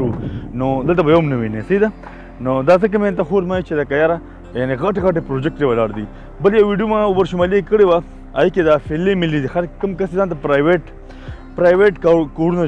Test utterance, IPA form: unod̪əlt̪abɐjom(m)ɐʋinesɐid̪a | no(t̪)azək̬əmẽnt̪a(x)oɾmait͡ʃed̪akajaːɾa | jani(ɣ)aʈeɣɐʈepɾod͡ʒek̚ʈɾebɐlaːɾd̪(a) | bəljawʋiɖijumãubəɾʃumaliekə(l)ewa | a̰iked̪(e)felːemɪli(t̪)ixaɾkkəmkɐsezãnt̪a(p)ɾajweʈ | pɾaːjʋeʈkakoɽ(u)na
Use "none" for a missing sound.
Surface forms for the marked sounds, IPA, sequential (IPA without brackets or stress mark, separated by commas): n, d̪, x, ɣ, i, ɽ, a, d̪, p, u